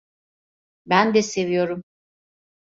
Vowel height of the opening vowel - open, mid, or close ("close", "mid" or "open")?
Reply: open